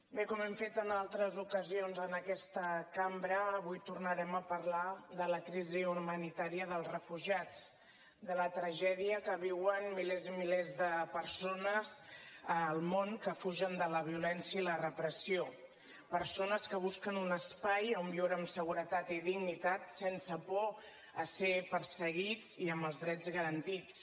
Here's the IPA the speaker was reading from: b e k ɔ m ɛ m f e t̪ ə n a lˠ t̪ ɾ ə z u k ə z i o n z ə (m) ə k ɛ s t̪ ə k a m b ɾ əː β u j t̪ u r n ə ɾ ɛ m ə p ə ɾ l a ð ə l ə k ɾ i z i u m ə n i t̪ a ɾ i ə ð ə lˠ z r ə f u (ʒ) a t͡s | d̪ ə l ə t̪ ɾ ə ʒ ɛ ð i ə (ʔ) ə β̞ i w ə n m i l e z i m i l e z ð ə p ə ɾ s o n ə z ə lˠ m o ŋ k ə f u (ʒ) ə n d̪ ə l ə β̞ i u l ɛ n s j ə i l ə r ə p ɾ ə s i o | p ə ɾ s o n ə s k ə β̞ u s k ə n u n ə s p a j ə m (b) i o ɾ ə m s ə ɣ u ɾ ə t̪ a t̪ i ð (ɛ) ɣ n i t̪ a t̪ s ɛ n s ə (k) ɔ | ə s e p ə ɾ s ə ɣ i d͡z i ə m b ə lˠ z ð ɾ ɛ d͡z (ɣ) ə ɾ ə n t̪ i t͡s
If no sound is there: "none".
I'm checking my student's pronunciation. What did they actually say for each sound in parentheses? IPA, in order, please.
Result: n, ʒ, k, ʒ, b, i, p, ɣ

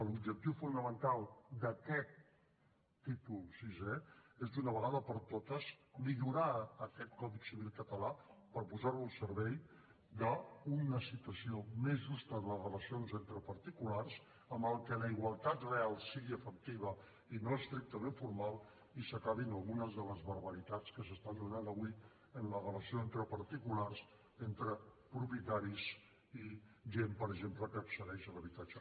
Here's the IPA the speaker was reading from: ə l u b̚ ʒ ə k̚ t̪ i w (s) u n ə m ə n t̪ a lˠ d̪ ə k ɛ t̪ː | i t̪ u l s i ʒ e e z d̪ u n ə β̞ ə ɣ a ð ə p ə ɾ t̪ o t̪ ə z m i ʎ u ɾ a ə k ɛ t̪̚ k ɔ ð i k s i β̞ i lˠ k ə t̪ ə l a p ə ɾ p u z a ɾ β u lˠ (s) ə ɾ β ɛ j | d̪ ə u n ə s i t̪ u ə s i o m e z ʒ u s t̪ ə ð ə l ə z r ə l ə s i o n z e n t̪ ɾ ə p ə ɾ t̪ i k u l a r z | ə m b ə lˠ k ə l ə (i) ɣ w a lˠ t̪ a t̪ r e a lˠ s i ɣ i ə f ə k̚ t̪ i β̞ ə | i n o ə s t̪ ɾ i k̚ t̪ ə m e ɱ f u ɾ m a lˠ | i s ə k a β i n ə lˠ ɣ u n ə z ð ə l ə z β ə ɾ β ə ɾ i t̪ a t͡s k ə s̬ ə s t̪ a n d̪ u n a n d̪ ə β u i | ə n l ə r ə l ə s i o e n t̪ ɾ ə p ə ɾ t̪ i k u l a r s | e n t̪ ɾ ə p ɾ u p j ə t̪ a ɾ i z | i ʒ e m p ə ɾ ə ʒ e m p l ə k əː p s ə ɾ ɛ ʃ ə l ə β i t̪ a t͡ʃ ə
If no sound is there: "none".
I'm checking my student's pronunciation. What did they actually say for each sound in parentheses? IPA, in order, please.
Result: f, s, i

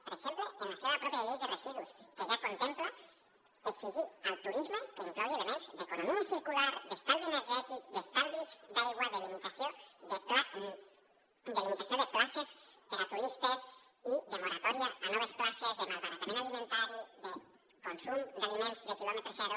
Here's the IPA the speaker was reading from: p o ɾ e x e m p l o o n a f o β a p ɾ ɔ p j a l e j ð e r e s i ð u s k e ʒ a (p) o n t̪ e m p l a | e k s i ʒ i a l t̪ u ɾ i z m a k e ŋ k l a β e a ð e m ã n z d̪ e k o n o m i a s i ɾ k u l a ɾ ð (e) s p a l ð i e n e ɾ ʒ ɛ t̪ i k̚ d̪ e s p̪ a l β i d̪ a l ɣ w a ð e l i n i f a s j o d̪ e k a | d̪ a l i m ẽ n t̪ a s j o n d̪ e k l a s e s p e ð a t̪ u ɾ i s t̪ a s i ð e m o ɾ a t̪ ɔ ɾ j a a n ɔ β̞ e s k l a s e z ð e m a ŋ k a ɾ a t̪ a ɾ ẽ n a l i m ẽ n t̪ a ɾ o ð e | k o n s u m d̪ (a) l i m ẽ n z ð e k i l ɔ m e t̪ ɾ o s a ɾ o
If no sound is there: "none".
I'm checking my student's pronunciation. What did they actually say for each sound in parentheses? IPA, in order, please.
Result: k, e, a

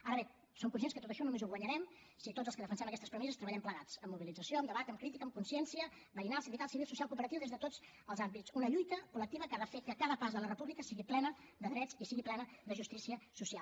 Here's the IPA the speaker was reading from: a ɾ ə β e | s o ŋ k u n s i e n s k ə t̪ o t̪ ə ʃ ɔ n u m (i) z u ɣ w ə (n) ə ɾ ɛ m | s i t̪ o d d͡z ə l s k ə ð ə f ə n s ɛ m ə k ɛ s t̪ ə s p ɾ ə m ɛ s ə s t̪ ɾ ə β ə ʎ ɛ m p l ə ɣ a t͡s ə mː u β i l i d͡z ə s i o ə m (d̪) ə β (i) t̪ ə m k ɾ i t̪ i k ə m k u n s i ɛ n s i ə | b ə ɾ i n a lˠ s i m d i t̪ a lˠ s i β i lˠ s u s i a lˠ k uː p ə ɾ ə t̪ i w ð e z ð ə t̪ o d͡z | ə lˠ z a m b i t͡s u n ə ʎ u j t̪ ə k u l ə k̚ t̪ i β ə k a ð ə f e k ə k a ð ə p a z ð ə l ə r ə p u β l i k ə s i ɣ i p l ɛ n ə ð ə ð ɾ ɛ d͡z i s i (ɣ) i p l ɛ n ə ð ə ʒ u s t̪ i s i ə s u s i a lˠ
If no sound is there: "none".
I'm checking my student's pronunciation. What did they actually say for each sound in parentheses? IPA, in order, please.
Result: e, ɲ, d̪, a, ɣ

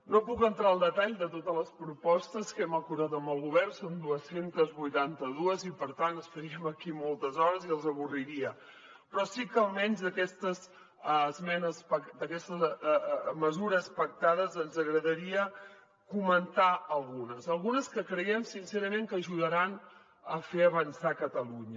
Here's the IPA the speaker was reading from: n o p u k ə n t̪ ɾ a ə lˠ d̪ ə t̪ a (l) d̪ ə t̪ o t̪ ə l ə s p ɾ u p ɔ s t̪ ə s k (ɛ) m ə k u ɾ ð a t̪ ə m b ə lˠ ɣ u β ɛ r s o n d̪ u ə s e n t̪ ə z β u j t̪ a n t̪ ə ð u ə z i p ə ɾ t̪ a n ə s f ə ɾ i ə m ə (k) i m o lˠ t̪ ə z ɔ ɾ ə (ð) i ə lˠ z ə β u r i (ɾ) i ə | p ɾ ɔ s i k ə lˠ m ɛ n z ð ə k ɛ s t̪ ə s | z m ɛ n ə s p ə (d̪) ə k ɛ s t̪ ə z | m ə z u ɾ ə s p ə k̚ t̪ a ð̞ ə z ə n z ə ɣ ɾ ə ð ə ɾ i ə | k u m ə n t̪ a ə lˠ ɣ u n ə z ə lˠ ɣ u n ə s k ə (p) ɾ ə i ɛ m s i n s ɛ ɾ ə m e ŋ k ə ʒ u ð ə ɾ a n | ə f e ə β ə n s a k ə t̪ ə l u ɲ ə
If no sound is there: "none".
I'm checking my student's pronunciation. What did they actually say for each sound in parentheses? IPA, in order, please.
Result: ʎ, ɛ, k, z, ɾ, d̪, k

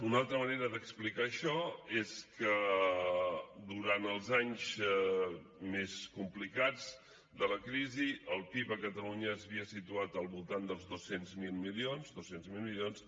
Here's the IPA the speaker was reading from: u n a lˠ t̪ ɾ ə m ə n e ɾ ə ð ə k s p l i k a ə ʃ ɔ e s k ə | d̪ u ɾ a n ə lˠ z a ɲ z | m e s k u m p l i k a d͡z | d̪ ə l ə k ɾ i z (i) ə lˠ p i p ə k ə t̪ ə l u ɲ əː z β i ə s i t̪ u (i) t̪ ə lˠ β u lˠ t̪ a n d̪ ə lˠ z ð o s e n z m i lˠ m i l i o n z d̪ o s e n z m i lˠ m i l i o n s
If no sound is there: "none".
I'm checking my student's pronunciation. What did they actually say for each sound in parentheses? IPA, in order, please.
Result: i, a

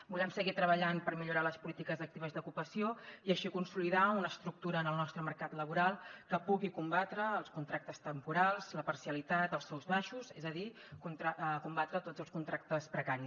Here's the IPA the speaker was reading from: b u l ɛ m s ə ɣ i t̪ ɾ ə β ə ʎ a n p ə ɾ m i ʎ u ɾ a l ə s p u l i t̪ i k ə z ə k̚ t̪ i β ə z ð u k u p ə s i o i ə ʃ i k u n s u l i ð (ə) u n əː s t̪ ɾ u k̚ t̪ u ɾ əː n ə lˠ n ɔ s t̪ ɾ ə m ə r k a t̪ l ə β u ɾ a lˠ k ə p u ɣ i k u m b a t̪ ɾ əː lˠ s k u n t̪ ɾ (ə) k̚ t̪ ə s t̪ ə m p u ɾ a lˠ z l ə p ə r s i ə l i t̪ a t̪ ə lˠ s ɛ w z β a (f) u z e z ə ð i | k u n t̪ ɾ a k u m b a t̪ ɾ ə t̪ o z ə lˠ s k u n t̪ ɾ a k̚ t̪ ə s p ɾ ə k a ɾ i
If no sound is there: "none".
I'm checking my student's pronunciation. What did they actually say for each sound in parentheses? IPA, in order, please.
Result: a, a, ʃ

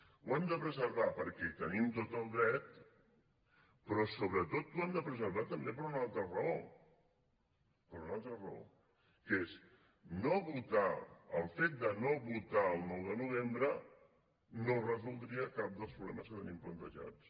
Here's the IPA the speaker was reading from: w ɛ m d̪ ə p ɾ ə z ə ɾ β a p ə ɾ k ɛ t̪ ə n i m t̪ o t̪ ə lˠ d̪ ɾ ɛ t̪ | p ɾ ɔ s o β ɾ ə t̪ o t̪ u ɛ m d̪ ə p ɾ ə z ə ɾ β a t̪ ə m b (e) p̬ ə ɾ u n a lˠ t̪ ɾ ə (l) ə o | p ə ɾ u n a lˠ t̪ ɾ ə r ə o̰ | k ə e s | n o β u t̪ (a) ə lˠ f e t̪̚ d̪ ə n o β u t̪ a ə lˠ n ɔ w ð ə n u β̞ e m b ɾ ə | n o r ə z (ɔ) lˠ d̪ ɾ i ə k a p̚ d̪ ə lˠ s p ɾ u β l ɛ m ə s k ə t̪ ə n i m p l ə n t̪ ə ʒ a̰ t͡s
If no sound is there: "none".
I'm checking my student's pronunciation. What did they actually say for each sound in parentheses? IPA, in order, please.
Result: e, r, a, u

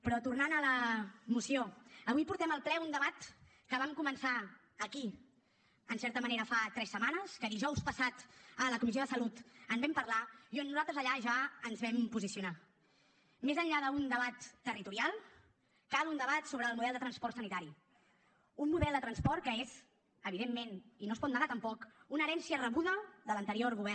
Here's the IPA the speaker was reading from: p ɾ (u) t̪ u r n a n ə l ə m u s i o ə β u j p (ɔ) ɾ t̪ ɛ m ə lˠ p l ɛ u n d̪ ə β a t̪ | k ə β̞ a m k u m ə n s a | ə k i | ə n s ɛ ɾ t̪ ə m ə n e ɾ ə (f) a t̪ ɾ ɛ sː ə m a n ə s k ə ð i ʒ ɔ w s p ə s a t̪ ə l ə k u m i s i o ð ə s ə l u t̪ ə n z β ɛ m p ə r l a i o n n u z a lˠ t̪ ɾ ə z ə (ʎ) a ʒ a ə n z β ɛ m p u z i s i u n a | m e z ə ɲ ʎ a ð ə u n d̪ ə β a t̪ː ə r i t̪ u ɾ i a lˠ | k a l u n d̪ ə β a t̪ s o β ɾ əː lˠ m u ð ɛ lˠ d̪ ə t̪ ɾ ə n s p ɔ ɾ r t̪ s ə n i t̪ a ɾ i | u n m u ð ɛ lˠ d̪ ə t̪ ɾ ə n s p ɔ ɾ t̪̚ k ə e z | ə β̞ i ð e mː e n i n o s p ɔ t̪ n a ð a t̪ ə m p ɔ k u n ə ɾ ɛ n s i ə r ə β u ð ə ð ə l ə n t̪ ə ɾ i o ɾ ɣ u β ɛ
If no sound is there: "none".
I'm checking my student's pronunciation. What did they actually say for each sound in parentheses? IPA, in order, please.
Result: ɔ, u, f, ʎ

